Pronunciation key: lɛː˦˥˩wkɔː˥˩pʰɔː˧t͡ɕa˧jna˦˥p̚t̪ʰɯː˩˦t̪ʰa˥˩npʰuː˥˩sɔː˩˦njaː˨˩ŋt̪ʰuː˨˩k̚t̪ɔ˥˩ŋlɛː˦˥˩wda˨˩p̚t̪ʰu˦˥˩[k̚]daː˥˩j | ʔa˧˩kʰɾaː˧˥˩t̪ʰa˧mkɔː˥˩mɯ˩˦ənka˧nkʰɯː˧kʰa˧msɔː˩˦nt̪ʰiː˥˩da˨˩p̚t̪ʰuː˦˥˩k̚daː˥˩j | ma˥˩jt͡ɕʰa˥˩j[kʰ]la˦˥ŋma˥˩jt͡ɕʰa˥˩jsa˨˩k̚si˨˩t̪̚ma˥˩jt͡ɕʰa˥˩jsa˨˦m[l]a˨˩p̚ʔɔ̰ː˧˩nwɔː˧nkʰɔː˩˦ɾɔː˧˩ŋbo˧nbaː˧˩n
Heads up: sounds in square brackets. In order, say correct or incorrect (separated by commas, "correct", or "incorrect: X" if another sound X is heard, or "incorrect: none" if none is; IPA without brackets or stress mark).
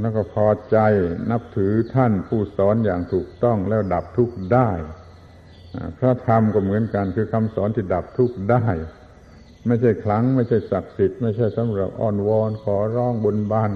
correct, correct, incorrect: ɾ